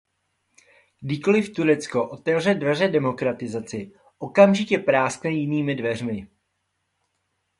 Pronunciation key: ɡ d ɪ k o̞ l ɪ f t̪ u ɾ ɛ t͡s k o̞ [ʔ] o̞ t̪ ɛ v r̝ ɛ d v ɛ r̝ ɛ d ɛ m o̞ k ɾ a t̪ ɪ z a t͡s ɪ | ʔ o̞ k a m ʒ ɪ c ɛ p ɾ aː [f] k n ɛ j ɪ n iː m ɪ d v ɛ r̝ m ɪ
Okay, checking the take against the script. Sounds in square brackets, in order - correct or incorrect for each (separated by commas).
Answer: correct, incorrect